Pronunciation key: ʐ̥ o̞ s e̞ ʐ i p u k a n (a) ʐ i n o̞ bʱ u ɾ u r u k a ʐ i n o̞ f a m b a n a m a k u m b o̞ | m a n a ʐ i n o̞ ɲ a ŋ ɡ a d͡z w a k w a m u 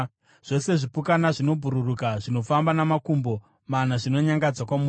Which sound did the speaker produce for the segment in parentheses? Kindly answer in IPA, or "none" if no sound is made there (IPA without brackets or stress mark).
a